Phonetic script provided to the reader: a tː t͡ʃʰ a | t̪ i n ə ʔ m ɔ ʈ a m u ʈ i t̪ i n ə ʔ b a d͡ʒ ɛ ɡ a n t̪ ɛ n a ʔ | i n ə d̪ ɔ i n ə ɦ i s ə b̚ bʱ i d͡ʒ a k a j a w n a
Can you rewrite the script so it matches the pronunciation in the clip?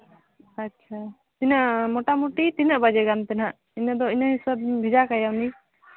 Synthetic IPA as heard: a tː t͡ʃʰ a | t̪ i n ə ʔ m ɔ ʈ a m u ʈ i t̪ i n ə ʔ b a d͡ʒ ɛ ɡ a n t̪ ɛ n a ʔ | i n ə d̪ ɔ i n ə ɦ i s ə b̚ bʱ i d͡ʒ a k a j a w n i